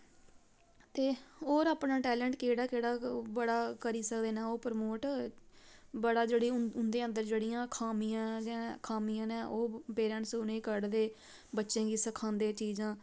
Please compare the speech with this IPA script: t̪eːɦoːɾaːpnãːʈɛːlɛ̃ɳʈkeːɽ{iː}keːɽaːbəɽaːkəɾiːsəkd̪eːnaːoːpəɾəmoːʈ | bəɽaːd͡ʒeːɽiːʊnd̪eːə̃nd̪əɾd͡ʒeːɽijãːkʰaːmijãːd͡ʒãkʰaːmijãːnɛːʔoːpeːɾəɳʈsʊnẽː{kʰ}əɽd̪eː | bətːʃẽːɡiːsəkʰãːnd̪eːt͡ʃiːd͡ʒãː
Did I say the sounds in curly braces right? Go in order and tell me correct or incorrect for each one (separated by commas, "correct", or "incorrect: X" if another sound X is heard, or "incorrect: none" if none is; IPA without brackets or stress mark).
incorrect: aː, incorrect: k